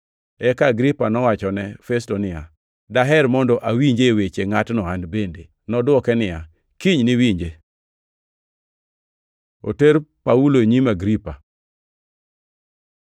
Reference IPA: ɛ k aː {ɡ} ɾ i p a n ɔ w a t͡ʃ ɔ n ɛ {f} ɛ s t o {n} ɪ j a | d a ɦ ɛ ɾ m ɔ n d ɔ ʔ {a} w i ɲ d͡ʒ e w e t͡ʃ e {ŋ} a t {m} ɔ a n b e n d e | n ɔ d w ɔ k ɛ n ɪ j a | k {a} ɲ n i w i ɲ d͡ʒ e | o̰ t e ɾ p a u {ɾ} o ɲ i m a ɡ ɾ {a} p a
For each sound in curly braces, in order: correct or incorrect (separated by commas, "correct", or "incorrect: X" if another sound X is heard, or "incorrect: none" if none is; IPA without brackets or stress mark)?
correct, correct, correct, correct, correct, incorrect: n, incorrect: i, incorrect: l, incorrect: i